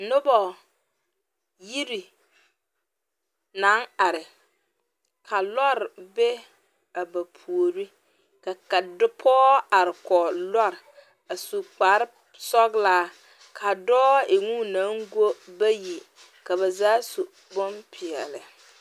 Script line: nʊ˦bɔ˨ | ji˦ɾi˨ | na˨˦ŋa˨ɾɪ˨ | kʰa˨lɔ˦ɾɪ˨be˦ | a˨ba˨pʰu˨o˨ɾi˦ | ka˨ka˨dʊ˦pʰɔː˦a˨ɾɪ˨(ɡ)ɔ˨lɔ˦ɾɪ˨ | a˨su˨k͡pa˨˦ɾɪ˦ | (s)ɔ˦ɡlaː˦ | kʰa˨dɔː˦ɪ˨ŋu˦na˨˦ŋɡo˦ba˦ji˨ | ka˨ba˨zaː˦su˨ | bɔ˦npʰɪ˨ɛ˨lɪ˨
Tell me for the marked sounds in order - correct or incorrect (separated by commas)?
incorrect, correct